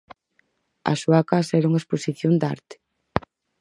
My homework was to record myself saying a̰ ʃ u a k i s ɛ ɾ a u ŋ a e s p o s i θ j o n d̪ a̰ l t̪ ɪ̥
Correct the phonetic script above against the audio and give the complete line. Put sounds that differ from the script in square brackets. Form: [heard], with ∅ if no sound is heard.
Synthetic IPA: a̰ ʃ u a k [a] s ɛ ɾ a u ŋ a e s p o s i θ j o n d̪ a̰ [ɾ] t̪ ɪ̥